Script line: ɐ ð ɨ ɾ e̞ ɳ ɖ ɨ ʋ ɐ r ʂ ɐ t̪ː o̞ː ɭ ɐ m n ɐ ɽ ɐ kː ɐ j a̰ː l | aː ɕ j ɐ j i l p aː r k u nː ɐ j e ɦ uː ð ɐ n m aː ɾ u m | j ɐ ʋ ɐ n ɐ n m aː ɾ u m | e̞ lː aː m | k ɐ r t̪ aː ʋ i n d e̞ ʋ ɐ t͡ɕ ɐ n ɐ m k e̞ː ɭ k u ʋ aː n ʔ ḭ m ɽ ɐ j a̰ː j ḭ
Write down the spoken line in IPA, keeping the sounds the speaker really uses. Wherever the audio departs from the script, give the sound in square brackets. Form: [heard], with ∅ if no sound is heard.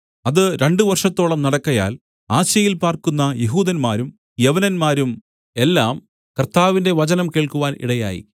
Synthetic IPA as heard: ɐ ð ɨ ɾ e̞ ɳ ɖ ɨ ʋ ɐ r ʂ ɐ t̪ː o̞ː ɭ ɐ m n ɐ ɽ ɐ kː ɐ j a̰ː l | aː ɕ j ɐ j i l p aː r k u nː ɐ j e ɦ uː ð ɐ n m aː ɾ u m | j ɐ ʋ ɐ n ɐ n m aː ɾ u m | e̞ lː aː m | k ɐ r t̪ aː ʋ i n d e̞ ʋ ɐ t͡ɕ ɐ n ɐ m k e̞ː ɭ k u ʋ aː n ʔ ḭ [∅] ɽ ɐ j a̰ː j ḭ